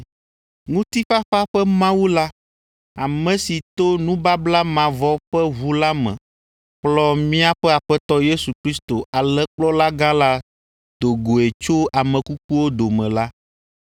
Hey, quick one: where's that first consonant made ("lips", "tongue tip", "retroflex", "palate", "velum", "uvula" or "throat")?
velum